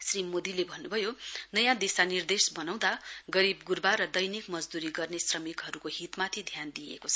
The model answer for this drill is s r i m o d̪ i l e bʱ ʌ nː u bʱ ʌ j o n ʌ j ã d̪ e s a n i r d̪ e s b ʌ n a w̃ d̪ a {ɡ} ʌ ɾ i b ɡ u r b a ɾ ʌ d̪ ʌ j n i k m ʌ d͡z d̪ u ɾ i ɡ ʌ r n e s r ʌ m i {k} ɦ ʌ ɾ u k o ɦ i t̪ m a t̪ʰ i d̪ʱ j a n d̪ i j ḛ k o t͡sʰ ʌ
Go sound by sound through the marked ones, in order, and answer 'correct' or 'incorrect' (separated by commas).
correct, correct